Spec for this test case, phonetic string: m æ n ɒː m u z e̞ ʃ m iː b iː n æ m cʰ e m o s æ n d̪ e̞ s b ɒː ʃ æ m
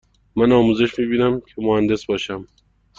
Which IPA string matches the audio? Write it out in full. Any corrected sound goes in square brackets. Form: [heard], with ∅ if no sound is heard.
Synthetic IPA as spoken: m æ n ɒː m u z e̞ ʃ m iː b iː n æ m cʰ e m o [h] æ n d̪ e̞ s b ɒː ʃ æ m